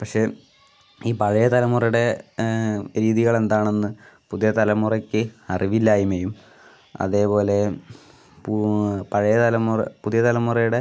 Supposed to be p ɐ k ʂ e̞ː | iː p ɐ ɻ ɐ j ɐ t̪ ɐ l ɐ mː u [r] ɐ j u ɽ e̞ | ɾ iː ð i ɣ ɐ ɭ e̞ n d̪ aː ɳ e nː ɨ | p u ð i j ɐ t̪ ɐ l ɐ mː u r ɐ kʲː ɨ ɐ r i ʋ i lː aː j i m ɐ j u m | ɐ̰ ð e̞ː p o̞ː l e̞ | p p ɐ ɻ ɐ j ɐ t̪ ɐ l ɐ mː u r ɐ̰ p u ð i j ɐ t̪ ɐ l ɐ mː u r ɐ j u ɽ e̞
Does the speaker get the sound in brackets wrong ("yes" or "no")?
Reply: no